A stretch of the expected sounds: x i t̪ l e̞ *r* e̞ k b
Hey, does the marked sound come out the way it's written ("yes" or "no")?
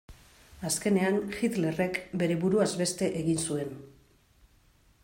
yes